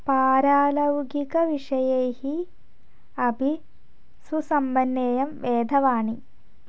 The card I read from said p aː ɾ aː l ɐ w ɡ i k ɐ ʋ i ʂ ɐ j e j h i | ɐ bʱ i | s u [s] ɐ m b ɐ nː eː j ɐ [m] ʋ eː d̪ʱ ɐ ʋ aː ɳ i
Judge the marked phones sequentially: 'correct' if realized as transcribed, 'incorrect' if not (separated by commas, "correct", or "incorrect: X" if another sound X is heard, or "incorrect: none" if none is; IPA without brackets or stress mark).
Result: correct, correct